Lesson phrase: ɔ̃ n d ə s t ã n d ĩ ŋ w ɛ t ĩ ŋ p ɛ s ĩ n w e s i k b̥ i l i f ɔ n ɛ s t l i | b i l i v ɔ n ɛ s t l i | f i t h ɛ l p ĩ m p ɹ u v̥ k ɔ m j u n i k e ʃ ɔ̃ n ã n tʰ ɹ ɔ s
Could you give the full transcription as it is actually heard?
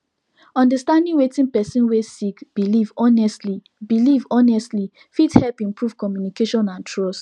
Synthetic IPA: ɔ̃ n d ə s t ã n d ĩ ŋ w e t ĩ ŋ p ɛ s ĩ n w e s i k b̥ i l i v ɔ n ɛ s t l i | b i l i v ɔ n ɛ s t l i | f i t h ɛ l p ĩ m p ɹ u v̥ k ɔ m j u n i k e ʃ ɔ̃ n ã n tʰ ɹ ɔ s